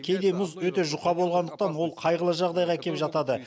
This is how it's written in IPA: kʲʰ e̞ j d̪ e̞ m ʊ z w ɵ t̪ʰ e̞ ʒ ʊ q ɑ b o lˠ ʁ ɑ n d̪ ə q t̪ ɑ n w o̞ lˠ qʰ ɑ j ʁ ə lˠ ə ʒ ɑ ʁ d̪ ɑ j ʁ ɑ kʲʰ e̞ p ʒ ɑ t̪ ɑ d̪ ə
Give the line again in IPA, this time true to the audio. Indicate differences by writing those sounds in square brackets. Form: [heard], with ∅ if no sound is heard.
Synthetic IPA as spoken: kʲʰ e̞ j d̪ e̞ m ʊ z w ɵ [t̪] e̞ ʒ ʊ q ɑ b o lˠ ʁ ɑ n d̪ ə q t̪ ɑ n w o̞ lˠ qʰ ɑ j ʁ ə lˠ ə ʒ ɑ ʁ d̪ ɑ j ʁ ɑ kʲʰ e̞ p ʒ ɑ t̪ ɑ d̪ ə